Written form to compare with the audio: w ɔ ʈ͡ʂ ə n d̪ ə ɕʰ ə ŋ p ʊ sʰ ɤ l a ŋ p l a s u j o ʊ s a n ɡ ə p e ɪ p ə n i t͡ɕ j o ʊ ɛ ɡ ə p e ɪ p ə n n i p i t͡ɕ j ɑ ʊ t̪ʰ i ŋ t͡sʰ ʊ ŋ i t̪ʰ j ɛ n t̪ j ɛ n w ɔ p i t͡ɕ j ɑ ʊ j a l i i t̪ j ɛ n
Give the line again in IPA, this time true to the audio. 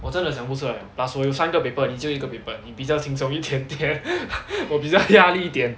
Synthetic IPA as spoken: w ɔ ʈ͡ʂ ə n d̪ ə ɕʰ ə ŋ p u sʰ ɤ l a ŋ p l a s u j o ʊ s a n ɡ ə p e ɪ p ə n i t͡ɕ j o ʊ i ɡ ə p e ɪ p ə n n i p i t͡ɕ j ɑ ʊ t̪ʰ i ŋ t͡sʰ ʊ ŋ i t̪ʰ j ɛ n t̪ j ɛ n w ɔ p i t͡ɕ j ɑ ʊ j a l i i t̪ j ɛ n